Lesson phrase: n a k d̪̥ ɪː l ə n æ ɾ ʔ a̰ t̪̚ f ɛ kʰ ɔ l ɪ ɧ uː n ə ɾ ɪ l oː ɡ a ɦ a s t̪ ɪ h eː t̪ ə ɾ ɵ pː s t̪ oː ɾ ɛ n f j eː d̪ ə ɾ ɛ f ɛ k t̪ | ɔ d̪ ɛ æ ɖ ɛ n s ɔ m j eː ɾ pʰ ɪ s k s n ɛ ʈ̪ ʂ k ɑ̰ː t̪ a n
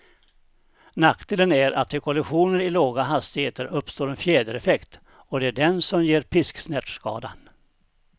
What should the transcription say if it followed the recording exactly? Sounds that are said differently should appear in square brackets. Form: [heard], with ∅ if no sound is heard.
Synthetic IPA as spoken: n a k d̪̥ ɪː l ə n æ ɾ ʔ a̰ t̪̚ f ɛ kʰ ɔ l ɪ ɧ uː n ə ɾ ɪ l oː ɡ a ɦ a s t̪ ɪ h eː t̪ ə ɾ ɵ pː s t̪ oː ɾ ɛ n f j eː d̪ ə ɾ ɛ f ɛ k t̪ | ɔ d̪ ɛ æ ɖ ɛ n s ɔ m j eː ɾ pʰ ɪ s k s n ɛ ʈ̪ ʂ k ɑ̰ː [d̪] a n